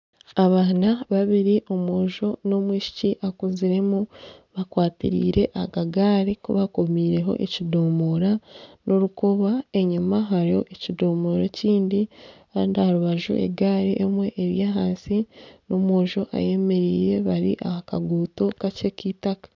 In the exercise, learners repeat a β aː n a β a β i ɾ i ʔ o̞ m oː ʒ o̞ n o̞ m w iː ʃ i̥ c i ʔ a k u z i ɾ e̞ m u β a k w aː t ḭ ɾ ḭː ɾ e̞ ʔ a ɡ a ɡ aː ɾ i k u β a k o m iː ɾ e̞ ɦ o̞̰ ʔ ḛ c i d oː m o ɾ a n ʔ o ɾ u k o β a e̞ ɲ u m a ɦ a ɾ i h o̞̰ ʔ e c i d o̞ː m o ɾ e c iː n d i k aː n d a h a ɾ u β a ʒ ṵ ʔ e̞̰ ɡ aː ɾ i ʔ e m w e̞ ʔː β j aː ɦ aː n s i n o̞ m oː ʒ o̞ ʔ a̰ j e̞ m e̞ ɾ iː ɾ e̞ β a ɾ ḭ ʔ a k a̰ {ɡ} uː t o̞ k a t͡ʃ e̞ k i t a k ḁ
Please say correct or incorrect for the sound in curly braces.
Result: correct